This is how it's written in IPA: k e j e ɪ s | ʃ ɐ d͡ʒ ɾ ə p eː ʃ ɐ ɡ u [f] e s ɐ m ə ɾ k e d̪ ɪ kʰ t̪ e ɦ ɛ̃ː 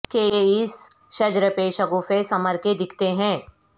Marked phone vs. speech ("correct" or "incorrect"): correct